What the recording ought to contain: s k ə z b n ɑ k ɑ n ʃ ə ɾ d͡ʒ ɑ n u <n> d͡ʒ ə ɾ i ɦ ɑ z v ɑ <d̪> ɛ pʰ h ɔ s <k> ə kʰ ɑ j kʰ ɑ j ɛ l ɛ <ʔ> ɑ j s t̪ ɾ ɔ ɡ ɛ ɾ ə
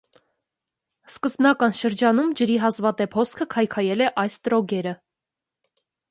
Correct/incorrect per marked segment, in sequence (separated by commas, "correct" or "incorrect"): incorrect, incorrect, incorrect, correct